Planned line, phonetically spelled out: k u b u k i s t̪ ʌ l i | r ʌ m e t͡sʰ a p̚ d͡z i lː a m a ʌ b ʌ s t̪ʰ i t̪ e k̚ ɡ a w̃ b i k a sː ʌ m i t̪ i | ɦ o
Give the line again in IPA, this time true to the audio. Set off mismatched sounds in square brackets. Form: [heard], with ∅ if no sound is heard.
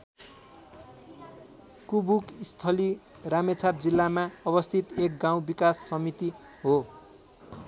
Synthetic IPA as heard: k u b u k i s [t̪ʰ] ʌ l i | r [a] m e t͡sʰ a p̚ d͡z i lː a m a ʌ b ʌ s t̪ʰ i t̪ e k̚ ɡ a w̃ b i k a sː ʌ m i t̪ i | ɦ o

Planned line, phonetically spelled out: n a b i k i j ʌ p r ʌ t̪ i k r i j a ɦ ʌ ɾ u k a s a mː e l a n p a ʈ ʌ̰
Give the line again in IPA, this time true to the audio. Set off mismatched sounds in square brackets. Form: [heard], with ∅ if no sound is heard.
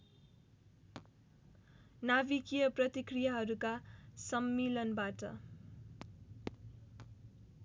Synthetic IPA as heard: n a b i k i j ʌ p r ʌ t̪ i k r i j a ɦ ʌ ɾ u k a s [ʌ] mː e l [ʌ] n [b] a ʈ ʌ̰

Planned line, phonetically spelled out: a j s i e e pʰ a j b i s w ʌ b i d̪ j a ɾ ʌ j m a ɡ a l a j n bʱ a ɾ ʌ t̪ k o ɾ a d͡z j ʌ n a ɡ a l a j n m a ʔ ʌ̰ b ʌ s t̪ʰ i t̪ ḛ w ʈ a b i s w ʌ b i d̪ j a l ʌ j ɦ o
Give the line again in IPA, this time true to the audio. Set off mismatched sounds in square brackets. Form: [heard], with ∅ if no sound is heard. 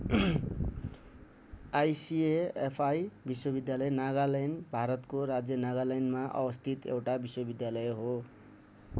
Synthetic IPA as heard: a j s i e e pʰ a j b i s w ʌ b i d̪ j a [l] ʌ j [n] a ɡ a l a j n bʱ a ɾ ʌ t̪ k o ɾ a d͡z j ʌ n a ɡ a l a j n m a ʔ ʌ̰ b ʌ s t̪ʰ i t̪ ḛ w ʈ a b i s w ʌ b i d̪ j a l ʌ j ɦ o

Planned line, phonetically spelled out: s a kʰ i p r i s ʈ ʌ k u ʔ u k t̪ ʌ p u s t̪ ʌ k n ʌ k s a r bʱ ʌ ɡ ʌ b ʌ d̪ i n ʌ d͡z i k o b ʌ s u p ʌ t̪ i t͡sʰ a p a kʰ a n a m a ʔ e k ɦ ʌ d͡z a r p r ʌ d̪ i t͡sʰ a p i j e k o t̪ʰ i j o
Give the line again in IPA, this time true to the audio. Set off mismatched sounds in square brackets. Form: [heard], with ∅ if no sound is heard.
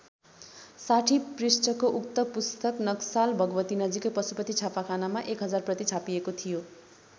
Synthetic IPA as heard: s a [ʈʰ] i p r i s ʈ ʌ k [o] ʔ u k t̪ ʌ p u s t̪ ʌ k n ʌ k s a [l] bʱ ʌ ɡ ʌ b ʌ [t̪] i n ʌ d͡z i k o [p] ʌ s u p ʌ t̪ i t͡sʰ a p a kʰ a n a m a ʔ e k ɦ ʌ d͡z a r p r ʌ [t̪] i t͡sʰ a p i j e k o t̪ʰ i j o

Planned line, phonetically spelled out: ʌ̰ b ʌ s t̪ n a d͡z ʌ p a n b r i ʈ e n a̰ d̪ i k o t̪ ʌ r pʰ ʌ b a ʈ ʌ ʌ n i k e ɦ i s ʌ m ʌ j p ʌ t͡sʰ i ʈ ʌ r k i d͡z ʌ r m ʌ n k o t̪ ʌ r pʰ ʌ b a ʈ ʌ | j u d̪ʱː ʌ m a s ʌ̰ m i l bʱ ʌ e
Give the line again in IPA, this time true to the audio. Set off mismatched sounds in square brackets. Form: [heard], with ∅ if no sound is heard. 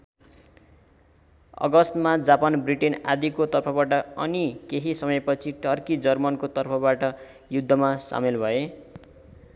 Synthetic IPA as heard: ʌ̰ [ɡ] ʌ s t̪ [m] a d͡z [a] p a n b r i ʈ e n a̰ d̪ i k o t̪ ʌ r pʰ ʌ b a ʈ ʌ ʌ n i k e ɦ i s ʌ m ʌ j p ʌ t͡sʰ i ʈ ʌ r k i d͡z ʌ r m ʌ n k o t̪ ʌ r pʰ ʌ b a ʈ ʌ | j u d̪ʱː ʌ m a s [a̰] m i l bʱ ʌ e

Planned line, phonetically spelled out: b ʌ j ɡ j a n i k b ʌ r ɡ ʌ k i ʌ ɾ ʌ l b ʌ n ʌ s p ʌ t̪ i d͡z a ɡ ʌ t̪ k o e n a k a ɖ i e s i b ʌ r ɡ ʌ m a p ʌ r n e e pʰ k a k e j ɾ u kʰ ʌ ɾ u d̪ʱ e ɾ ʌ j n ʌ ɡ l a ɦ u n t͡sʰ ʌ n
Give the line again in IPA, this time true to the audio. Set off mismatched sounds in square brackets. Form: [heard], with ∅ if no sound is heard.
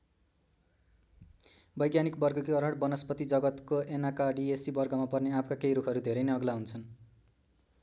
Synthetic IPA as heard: b ʌ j ɡ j a n i k b ʌ r ɡ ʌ k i ʌ ɾ ʌ [ɽ] b ʌ n ʌ s p ʌ t̪ i d͡z [ʌ] ɡ ʌ t̪ k o e n a k a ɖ i e s i b ʌ r ɡ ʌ m a p ʌ r n e [a] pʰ k a k e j ɾ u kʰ ʌ ɾ u d̪ʱ e ɾ ʌ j n ʌ ɡ l a ɦ u n t͡sʰ ʌ n

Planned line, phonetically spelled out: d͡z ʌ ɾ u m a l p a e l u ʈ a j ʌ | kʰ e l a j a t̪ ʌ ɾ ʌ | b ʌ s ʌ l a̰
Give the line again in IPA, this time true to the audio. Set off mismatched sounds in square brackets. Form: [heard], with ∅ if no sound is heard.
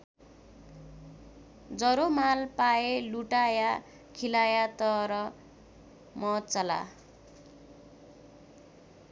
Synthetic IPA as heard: d͡z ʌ ɾ [o] m a l p a e l u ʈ a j [a] | kʰ [i] l a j a t̪ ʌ ɾ ʌ | [m] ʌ [t͡s] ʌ l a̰

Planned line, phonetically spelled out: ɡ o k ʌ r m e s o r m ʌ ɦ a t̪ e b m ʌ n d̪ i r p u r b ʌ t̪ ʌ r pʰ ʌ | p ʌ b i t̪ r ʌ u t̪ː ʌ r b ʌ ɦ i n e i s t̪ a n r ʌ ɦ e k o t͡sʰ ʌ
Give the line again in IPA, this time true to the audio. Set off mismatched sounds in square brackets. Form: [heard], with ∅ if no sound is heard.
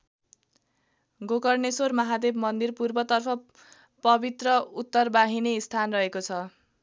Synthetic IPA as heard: ɡ o k ʌ r [n] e s o r m ʌ ɦ a [d̪] e b m ʌ n d̪ i r p u r b ʌ t̪ ʌ r pʰ ʌ | p ʌ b i t̪ r ʌ u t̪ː ʌ r b [a] ɦ i n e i s [t̪ʰ] a n r ʌ ɦ e k o t͡sʰ ʌ

